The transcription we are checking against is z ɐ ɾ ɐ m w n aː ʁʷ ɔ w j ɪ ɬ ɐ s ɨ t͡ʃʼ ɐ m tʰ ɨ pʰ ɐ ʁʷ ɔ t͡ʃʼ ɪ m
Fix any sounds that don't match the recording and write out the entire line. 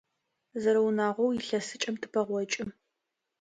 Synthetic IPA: z ɐ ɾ ɐ w n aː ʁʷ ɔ w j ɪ ɬ ɐ s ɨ t͡ʃʼ ɐ m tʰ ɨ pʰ ɐ ʁʷ ɔ t͡ʃʼ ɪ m